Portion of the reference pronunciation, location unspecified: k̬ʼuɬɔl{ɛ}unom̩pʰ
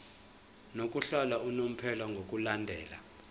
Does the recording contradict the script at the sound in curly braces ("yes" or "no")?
yes